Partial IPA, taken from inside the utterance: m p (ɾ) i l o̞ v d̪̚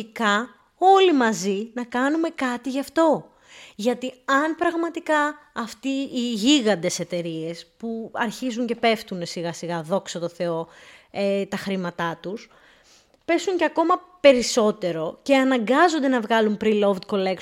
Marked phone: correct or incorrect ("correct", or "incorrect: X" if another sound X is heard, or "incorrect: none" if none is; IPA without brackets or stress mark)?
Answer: correct